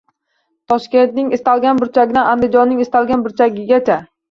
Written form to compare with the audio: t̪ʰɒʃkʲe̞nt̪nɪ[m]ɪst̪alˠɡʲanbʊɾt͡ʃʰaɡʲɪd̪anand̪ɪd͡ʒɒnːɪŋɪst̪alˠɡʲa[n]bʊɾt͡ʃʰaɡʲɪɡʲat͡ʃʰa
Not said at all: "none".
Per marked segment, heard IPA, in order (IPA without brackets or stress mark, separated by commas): ŋ, n